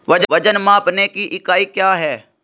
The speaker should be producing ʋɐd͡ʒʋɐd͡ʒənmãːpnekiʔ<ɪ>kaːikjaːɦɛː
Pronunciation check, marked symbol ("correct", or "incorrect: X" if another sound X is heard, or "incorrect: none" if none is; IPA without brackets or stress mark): correct